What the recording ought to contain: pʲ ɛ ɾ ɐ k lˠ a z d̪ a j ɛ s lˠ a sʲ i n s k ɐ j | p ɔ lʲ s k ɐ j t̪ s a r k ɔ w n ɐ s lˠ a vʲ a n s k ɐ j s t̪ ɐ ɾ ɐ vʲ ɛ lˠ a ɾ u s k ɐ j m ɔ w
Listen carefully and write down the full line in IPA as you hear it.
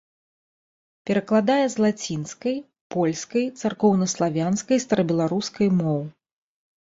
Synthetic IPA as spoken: pʲ ɛ ɾ ɐ k lˠ a d̪ a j ɛ z lˠ a t͡sʲ i n s k ɐ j | p ɔ lʲ s k ɐ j t̪ s a r k ɔ w n ɐ s lˠ a vʲ a n s k ɐ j s t̪ ɐ ɾ ɐ bʲ ɛ lˠ a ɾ u s k ɐ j m ɔ w